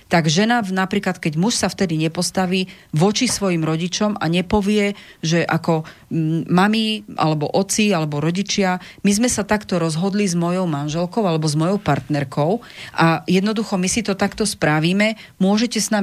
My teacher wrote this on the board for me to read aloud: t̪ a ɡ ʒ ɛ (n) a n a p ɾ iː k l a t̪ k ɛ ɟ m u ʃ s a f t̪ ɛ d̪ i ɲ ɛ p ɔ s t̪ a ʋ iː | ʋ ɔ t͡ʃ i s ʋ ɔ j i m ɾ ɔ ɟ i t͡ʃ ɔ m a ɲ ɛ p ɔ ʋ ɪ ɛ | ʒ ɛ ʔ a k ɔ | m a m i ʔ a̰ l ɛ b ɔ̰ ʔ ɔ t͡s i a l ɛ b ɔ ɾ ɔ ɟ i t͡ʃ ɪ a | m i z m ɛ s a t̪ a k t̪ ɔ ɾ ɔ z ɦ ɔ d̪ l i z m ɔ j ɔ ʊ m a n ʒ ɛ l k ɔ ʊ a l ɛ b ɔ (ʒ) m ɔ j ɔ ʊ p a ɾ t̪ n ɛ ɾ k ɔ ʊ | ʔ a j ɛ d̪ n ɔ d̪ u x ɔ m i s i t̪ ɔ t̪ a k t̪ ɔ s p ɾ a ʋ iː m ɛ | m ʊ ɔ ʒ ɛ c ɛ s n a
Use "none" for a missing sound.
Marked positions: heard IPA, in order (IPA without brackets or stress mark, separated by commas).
n, z